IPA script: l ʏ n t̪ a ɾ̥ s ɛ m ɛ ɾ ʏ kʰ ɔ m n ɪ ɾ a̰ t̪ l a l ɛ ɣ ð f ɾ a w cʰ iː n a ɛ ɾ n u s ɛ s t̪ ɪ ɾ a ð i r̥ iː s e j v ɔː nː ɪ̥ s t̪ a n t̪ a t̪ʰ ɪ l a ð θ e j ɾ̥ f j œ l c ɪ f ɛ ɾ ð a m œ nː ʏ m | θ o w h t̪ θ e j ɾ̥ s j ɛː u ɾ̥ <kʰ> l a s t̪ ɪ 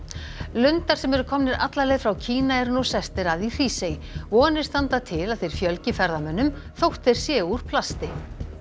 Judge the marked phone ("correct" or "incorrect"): incorrect